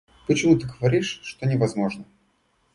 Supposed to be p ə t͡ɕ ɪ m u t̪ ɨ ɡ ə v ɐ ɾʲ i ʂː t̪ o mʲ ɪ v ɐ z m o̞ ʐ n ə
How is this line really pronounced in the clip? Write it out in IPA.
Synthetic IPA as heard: p ə t͡ɕ ɪ m u t̪ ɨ ɡ ə v ɐ ɾʲ i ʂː t̪ o nʲ ɪ v ɐ z m o̞ ʐ n ə